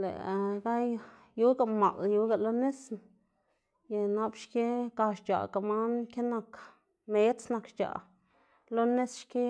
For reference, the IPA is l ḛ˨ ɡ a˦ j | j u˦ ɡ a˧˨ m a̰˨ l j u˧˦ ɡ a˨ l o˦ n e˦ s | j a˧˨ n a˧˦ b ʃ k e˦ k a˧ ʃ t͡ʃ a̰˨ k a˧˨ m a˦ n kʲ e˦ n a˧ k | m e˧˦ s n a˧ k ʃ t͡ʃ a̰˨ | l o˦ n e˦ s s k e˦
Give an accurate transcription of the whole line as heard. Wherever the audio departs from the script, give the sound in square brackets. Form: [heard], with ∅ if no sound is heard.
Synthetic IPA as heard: l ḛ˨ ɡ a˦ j | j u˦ ɡ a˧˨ m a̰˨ l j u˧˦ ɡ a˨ l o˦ n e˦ s | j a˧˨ n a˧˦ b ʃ k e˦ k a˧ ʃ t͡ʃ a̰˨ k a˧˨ m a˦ n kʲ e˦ n a˧ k | m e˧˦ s n a˧ k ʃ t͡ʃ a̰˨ | l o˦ n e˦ s [ʃ] k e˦